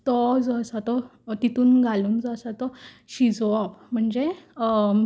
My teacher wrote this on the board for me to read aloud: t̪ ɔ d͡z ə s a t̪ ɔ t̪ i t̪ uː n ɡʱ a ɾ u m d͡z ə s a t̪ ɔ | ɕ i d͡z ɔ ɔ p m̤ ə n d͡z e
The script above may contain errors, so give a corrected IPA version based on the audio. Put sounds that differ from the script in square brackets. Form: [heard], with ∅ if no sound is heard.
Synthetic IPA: t̪ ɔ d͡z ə s a t̪ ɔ t̪ i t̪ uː n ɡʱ a [l] u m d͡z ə s a t̪ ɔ | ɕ i d͡z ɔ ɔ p m̤ ə [ɳ] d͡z e